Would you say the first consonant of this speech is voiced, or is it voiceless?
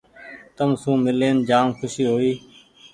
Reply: voiceless